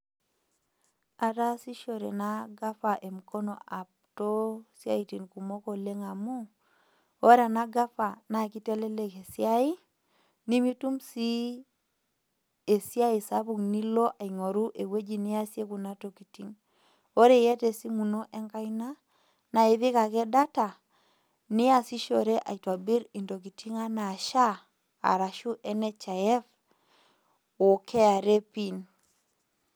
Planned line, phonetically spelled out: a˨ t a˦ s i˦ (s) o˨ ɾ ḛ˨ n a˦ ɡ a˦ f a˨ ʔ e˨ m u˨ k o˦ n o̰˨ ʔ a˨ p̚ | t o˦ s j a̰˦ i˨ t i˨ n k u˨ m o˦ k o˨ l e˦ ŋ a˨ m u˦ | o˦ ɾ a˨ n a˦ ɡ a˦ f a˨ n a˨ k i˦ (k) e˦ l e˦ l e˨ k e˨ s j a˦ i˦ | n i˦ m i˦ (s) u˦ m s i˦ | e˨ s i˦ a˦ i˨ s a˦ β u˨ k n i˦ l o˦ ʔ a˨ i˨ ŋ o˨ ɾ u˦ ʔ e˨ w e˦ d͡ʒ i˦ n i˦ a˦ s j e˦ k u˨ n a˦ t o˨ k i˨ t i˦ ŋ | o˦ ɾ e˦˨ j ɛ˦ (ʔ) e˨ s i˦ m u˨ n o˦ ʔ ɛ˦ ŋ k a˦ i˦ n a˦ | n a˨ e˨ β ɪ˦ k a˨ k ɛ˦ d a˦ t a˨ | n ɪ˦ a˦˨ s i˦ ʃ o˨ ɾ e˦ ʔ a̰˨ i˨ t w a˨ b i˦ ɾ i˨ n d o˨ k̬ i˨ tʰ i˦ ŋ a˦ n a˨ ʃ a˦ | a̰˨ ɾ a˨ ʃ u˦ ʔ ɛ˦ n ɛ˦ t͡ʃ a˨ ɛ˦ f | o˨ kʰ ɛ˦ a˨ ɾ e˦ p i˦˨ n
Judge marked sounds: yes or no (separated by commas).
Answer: no, no, no, no